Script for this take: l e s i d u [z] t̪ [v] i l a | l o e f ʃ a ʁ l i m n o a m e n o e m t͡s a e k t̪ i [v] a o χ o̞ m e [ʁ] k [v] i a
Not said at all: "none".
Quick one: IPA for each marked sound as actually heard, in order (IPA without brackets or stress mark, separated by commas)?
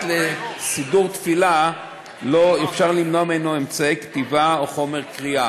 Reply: ʁ, f, v, ʁ, ʁ